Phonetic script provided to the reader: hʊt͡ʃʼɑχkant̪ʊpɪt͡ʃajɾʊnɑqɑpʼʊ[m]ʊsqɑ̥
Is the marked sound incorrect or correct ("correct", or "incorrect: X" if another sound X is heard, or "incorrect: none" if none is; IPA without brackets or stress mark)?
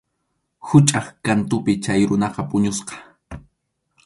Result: incorrect: ɲ